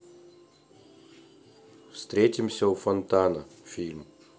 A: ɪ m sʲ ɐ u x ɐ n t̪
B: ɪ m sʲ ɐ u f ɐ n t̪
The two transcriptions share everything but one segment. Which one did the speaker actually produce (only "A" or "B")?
B